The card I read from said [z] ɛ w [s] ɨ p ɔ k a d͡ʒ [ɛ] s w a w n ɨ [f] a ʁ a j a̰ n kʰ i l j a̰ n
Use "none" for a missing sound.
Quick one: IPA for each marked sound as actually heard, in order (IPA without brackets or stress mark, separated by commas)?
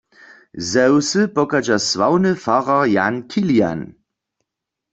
z, s, a, f